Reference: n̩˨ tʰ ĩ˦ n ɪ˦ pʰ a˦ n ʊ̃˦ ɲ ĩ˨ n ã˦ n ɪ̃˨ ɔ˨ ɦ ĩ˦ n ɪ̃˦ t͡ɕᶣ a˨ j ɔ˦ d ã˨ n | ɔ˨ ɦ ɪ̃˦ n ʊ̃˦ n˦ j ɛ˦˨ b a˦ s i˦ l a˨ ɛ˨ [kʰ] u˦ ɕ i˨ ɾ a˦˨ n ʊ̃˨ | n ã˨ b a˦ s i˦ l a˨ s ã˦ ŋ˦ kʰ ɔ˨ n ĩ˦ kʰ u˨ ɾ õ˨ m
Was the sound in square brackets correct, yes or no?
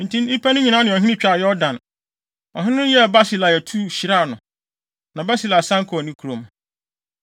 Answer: no